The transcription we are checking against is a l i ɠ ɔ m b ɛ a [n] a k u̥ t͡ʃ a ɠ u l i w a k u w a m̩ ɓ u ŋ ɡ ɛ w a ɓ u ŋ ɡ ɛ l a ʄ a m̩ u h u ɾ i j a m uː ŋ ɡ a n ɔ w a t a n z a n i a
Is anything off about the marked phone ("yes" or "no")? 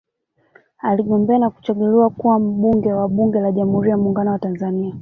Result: no